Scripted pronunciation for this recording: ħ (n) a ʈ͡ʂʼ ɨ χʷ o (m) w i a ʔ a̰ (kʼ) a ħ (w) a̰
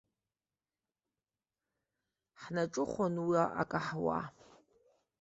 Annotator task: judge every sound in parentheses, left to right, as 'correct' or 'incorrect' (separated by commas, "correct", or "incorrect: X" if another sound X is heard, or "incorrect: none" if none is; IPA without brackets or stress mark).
correct, incorrect: n, correct, correct